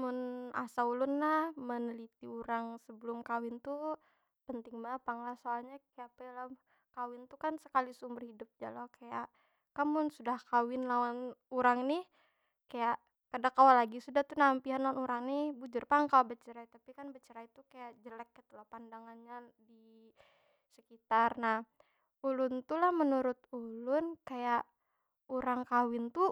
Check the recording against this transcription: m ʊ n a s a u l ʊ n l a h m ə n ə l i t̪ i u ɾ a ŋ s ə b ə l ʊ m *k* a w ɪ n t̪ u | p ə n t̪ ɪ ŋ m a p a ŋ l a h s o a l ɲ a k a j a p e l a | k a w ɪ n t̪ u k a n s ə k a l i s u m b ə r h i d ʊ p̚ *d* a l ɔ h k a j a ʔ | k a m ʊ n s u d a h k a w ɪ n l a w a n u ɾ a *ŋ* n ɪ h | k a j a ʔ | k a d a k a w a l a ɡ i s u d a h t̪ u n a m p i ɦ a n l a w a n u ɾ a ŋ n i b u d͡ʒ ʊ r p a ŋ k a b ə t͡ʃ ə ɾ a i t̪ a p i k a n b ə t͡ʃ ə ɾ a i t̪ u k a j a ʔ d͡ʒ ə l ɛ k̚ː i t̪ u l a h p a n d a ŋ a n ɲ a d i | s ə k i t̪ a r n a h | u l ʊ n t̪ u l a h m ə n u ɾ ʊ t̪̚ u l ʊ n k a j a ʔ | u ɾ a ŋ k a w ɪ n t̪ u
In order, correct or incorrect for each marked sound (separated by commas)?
correct, incorrect, correct